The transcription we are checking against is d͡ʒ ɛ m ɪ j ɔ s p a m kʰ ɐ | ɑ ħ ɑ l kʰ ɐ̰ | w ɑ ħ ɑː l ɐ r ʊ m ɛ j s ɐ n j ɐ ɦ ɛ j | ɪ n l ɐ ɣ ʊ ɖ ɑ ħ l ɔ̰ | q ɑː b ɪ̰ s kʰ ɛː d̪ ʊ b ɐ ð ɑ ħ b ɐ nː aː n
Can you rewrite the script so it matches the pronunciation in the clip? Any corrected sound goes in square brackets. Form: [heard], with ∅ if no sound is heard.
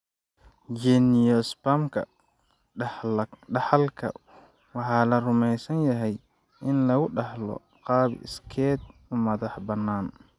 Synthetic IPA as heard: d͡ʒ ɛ [n] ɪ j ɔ s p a m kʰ ɐ | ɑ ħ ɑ l kʰ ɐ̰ | w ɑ ħ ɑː l ɐ r ʊ m ɛ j s ɐ n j ɐ ɦ ɛ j | ɪ n l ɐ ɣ ʊ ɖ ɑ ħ l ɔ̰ | q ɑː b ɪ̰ s kʰ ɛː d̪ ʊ [m] ɐ ð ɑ ħ b ɐ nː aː n